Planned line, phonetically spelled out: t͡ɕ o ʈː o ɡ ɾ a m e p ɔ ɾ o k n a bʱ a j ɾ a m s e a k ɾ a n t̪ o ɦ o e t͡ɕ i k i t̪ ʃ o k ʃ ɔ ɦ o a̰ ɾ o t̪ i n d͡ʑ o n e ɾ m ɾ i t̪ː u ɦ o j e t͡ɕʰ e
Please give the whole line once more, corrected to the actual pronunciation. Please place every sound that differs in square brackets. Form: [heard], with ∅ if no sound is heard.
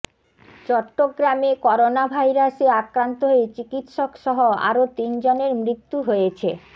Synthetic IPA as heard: t͡ɕ [ɔ] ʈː o ɡ ɾ a m e [k] ɔ ɾ o [∅] n a bʱ a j ɾ a [∅] s e a k ɾ a n t̪ o ɦ o e t͡ɕ i k i t̪ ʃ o k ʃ ɔ ɦ o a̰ ɾ o t̪ i n d͡ʑ o n e ɾ m ɾ i t̪ː u ɦ o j e t͡ɕʰ e